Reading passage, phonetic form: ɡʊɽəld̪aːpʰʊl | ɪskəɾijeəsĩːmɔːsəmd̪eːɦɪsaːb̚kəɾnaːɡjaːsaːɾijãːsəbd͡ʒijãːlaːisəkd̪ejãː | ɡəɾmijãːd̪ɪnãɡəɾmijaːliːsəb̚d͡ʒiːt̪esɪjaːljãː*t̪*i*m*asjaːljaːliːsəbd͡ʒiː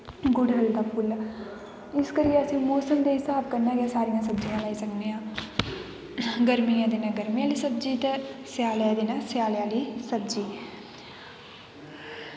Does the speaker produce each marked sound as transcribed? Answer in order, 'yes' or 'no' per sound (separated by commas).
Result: no, no